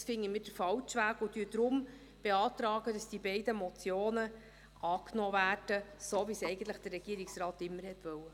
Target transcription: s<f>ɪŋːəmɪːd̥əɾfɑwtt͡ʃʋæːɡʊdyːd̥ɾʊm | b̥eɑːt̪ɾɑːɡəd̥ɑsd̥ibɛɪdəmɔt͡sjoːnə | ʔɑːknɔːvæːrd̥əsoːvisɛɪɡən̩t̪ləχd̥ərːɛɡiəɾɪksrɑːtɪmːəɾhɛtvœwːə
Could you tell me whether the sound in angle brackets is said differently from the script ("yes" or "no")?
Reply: no